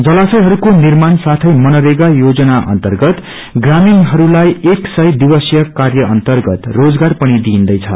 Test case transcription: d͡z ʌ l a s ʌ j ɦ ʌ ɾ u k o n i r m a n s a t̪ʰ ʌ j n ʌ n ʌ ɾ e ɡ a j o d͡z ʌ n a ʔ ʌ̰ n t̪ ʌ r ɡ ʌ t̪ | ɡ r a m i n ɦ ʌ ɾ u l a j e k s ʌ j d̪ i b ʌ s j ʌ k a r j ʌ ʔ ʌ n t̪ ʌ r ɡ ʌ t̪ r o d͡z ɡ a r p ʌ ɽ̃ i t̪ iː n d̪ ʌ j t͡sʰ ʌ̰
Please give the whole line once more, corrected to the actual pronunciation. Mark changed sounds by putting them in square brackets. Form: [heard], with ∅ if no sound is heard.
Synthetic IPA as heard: d͡z ʌ l a s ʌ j ɦ ʌ ɾ u k o n i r m a n s a t̪ʰ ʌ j [m] ʌ n ʌ ɾ e ɡ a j o d͡z ʌ n a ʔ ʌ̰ n t̪ ʌ r ɡ ʌ t̪ | ɡ r a m i n ɦ ʌ ɾ u l a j e k s ʌ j d̪ i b ʌ s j ʌ k a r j ʌ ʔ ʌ n t̪ ʌ r ɡ ʌ t̪ r o d͡z ɡ a r p ʌ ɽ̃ i [d̪] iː n d̪ ʌ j t͡sʰ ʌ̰